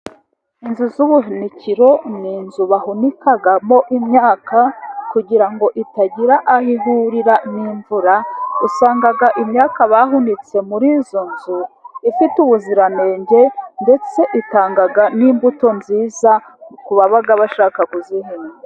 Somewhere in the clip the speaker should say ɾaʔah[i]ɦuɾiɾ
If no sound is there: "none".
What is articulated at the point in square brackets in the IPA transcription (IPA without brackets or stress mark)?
i